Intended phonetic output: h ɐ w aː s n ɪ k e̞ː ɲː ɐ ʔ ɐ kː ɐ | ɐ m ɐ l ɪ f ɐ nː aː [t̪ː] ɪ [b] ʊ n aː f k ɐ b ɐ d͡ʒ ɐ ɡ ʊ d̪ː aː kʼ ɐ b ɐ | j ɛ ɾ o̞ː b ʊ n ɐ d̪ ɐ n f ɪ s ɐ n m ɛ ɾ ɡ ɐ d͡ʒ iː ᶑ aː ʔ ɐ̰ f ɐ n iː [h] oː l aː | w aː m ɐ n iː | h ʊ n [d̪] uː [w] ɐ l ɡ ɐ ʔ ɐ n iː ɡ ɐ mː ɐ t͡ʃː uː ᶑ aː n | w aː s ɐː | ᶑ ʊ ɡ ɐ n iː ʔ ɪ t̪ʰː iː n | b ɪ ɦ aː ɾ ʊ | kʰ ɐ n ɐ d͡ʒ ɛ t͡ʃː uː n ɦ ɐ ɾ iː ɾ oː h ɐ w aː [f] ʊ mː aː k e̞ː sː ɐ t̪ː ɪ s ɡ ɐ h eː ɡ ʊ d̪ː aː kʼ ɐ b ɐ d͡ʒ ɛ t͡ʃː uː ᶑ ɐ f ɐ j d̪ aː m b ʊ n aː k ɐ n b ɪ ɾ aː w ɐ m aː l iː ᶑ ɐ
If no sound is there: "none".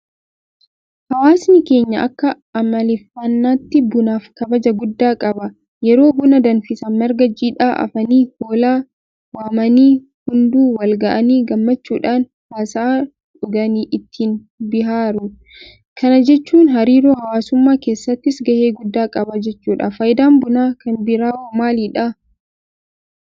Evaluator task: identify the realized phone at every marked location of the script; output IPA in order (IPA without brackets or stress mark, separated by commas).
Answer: t̪ː, b, h, d̪, w, s